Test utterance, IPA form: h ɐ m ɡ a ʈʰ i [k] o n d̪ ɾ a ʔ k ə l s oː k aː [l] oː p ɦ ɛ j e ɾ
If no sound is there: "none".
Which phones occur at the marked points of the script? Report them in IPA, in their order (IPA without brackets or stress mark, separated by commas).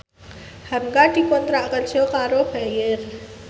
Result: k, ɾ